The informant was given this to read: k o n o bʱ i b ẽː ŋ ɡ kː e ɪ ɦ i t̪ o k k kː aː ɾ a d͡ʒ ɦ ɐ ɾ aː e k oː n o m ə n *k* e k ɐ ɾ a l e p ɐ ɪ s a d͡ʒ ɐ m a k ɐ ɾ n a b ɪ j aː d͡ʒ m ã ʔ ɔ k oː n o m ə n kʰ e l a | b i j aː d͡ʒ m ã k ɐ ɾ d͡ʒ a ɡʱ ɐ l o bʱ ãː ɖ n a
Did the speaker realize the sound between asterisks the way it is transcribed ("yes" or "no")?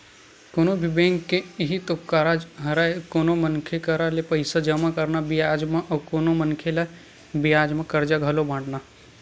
no